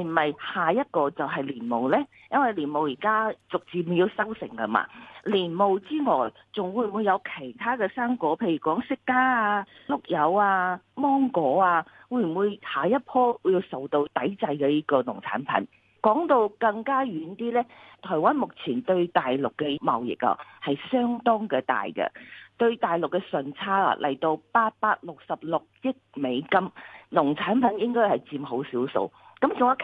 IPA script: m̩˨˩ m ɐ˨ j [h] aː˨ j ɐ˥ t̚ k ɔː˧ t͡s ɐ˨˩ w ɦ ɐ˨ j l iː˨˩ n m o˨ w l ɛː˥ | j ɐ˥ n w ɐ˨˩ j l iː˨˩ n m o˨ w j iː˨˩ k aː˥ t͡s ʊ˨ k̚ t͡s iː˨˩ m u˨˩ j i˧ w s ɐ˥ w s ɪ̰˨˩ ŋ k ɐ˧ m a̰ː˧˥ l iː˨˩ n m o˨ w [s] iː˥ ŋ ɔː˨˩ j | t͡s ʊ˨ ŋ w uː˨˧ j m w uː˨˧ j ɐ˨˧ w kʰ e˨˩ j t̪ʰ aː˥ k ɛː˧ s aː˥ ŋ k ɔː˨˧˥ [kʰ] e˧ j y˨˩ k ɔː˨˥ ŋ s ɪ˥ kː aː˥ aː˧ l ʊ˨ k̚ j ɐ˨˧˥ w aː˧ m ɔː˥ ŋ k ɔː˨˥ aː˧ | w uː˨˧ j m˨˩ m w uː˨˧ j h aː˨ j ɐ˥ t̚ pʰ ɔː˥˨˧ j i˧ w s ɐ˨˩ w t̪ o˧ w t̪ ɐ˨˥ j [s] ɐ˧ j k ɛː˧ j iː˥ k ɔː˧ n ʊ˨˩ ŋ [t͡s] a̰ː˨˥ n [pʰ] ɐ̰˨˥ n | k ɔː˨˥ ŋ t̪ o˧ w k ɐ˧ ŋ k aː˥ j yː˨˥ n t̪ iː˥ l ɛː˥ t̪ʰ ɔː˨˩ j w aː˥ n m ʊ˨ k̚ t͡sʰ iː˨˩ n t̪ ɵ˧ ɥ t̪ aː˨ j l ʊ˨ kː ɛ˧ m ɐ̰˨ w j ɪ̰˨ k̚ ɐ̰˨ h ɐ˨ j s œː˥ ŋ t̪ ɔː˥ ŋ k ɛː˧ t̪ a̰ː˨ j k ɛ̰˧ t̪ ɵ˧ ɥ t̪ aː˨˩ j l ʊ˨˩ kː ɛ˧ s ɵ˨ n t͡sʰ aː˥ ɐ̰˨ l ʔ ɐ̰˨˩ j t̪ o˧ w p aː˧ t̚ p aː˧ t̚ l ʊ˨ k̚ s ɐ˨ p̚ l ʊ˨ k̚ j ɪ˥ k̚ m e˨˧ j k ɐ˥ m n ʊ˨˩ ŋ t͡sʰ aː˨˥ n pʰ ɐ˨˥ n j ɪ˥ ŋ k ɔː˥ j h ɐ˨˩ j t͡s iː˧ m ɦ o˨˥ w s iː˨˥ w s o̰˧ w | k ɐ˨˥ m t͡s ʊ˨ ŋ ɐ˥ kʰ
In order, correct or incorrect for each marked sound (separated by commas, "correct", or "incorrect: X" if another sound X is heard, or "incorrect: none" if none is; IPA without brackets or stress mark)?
correct, incorrect: t͡s, incorrect: pʰ, incorrect: t͡s, incorrect: t͡sʰ, correct